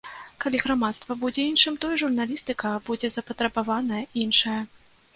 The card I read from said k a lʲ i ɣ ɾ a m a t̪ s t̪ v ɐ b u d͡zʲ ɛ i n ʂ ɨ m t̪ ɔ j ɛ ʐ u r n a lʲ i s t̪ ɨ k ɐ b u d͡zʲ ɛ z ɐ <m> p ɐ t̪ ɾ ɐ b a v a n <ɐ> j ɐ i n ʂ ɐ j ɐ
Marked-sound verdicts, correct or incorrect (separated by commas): incorrect, correct